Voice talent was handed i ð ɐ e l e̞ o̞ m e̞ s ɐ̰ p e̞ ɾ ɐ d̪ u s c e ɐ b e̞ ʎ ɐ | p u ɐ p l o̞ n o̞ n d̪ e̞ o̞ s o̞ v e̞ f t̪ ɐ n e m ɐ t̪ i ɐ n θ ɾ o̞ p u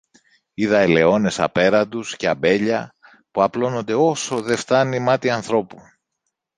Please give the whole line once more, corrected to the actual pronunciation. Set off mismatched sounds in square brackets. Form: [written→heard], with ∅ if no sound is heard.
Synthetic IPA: i ð ɐ e l e̞ o̞ [m→n] e̞ s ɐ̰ p e̞ ɾ ɐ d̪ u s c e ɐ b e̞ ʎ ɐ | p u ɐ p l o̞ n o̞ n d̪ e̞ o̞ s o̞ [v→ð] e̞ f t̪ ɐ n [e→i] m ɐ t̪ i ɐ n θ ɾ o̞ p u